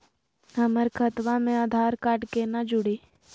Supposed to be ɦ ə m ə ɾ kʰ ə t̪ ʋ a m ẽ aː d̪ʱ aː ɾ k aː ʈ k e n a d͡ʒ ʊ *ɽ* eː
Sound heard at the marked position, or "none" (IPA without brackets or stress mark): ɽ